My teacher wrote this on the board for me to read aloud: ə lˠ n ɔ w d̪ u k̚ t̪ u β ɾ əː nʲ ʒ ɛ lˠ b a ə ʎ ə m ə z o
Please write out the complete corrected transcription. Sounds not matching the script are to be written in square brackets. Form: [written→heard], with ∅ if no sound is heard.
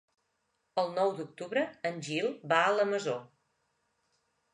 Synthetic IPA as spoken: ə lˠ n ɔ w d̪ u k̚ t̪ u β ɾ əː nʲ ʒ [ɛ→i] lˠ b a ə [ʎ→l] ə m ə z o